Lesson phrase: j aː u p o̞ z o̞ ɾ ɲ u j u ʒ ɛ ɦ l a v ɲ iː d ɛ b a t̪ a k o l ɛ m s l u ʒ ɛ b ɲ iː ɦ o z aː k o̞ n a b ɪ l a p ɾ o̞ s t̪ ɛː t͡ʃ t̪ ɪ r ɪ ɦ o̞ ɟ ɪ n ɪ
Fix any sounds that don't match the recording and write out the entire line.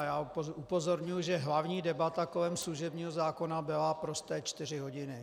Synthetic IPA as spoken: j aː u p o̞ z o̞ ɾ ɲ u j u ʒ ɛ ɦ l a v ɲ iː d ɛ b a t̪ a k o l ɛ m s l u ʒ ɛ b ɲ iː ɦ o z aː k o̞ n a b ɪ l a p ɾ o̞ s t̪ ɛː t͡ʃ t̪ ɪ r ɪ ɦ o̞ ɟ ɪ n ɪ